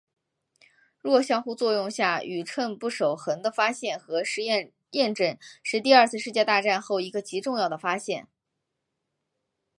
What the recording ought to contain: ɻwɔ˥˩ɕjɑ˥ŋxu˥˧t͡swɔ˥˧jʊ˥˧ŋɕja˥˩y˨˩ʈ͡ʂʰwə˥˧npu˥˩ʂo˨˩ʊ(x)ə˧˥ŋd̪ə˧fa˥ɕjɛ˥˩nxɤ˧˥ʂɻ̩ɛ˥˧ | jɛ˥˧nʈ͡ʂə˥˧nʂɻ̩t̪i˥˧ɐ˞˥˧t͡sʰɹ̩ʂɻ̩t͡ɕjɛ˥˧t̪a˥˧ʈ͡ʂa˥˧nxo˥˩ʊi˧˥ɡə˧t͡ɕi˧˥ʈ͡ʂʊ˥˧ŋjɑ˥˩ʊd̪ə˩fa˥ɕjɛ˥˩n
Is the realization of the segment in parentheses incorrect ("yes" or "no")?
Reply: no